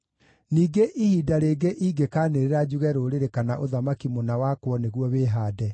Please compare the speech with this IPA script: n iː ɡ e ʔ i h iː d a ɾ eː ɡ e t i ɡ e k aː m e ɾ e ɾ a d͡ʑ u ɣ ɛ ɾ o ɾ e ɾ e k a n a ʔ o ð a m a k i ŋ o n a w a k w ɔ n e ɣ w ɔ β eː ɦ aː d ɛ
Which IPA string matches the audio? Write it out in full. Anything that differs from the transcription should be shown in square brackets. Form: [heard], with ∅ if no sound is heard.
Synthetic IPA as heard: n iː ɡ e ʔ i h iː d a ɾ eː ɡ e [ʔ] i ɡ e k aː [n] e ɾ e ɾ a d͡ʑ u ɣ ɛ ɾ o ɾ e ɾ e k a n a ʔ o ð a m a k i [m] o n a w a k w ɔ n e ɣ w ɔ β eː ɦ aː d ɛ

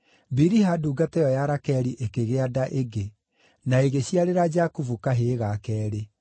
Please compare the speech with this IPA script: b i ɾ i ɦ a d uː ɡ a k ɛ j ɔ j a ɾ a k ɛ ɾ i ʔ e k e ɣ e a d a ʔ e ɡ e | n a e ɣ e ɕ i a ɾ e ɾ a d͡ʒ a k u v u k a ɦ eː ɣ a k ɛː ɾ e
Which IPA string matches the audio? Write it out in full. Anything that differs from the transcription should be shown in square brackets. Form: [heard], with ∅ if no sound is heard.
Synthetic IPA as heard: b i ɾ i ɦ a d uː ɡ a [t] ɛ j ɔ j a ɾ a k ɛ ɾ i ʔ e k e ɣ e a d a ʔ e ɡ e | n a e ɣ e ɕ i a ɾ e ɾ a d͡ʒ a k u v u k a ɦ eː ɣ a k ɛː ɾ e

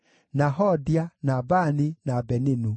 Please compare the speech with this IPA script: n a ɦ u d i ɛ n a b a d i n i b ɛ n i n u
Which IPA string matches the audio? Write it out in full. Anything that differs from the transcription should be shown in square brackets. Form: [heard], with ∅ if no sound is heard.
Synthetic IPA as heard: n a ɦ [ɔ] d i [a] n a b a [n] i n [a] b ɛ n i n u

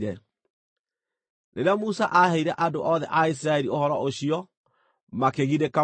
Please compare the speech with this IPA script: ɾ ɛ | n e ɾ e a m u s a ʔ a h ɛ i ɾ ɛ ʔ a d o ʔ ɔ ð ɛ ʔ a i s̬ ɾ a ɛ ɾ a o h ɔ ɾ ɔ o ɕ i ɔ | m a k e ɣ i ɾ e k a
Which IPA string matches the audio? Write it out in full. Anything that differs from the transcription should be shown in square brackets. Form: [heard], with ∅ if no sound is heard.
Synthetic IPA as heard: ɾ ɛ | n e ɾ e a m u s a ʔ a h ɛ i ɾ ɛ ʔ a d o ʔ ɔ ð ɛ ʔ a i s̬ ɾ a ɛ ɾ [i] o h ɔ ɾ ɔ o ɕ i ɔ | m a k e ɣ i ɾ e k a

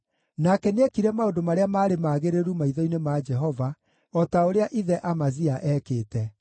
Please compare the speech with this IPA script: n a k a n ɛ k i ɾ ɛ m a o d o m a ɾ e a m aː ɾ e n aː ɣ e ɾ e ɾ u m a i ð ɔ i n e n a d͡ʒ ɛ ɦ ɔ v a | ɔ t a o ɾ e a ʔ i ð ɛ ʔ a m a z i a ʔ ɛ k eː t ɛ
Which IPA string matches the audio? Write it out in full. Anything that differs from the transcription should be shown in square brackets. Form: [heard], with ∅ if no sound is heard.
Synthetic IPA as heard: n a k [ɛ] n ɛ k i ɾ ɛ m a o d o m a ɾ e a m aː ɾ e [m] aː ɣ e ɾ e ɾ u m a i ð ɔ i n e [m] a d͡ʒ ɛ ɦ ɔ v a | ɔ t a o ɾ e a ʔ i ð ɛ ʔ a m a z i a ʔ ɛ k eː t ɛ

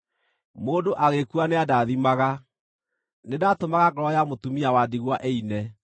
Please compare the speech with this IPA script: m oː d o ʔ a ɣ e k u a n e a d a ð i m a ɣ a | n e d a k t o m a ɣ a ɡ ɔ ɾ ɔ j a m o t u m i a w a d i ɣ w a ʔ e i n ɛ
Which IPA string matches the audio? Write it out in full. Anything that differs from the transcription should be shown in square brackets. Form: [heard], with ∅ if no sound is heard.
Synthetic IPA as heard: m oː d o ʔ a ɣ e k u a n e a d a ð i m a ɣ a | n e d a [∅] t o m a ɣ a ɡ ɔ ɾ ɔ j a m o t u m i a w a d i ɣ w a ʔ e i n ɛ

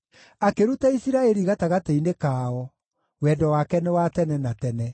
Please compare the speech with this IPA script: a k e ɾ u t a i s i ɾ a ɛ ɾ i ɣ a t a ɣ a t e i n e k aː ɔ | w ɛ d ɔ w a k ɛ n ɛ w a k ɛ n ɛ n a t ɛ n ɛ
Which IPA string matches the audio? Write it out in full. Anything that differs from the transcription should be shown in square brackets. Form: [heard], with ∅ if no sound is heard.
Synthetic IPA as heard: a k e ɾ u t a i s i ɾ a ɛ ɾ i ɣ a t a ɣ a t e i n e k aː ɔ | w ɛ d ɔ w a k ɛ n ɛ w a [t] ɛ n ɛ n a t ɛ n ɛ

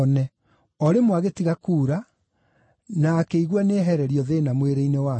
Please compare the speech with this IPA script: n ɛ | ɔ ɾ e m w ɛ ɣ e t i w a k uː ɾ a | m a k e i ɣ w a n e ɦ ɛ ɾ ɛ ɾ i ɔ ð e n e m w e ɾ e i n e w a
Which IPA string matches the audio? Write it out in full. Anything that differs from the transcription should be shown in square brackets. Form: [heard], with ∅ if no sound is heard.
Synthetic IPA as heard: n ɛ | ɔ ɾ e m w [a] ɣ e t i [ɣ] a k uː ɾ a | [n] a k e i ɣ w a n e ɦ ɛ ɾ ɛ ɾ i ɔ ð e n [a] m w e ɾ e i n e w a

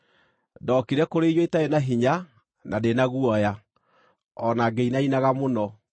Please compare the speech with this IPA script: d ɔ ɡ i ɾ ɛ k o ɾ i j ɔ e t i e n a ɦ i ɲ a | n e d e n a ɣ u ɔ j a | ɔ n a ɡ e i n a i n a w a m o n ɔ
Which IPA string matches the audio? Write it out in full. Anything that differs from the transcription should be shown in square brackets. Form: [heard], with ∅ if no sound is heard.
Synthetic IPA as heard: d ɔ [k] i ɾ ɛ k o ɾ [e] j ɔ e t [a] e n a ɦ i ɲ a | n [a] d e n a ɣ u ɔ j a | ɔ n a ɡ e i n a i n a [ɣ] a m o n ɔ

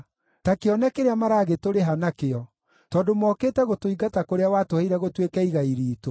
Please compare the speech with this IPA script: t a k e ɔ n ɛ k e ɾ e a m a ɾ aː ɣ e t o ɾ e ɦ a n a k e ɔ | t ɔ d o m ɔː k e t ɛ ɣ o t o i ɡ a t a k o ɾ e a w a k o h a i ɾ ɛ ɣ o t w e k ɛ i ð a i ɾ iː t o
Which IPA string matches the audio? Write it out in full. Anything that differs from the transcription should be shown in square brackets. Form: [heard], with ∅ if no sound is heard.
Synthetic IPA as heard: t a k e ɔ n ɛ k e ɾ e a m a ɾ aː ɣ e t o ɾ e ɦ a n a k e ɔ | t ɔ d o m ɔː k e t ɛ ɣ o t o i ɡ a t a k o ɾ e a w a [t] o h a i ɾ ɛ ɣ o t w e k ɛ i [ɣ] a i ɾ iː t o

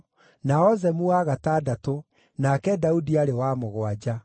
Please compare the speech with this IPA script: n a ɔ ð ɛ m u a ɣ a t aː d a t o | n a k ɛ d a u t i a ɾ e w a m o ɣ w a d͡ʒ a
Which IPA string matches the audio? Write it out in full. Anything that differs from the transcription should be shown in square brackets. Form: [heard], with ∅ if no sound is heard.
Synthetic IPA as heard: n a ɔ [z] ɛ m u a ɣ a t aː d a t o | n a k ɛ d a u [d] i a ɾ e w a m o ɣ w a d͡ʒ a

